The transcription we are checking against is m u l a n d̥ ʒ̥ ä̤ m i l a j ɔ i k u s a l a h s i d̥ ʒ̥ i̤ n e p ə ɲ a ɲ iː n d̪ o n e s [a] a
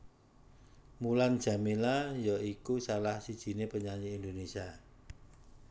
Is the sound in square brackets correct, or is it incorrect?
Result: incorrect